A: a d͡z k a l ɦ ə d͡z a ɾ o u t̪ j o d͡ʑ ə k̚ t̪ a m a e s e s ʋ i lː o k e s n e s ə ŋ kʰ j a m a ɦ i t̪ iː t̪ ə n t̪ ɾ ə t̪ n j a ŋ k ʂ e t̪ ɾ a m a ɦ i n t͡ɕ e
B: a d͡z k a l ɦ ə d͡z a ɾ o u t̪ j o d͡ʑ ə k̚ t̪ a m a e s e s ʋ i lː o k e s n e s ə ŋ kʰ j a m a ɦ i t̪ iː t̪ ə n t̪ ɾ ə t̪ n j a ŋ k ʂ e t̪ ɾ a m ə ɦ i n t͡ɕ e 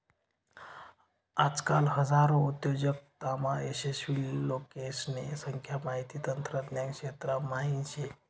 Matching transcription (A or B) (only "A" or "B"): A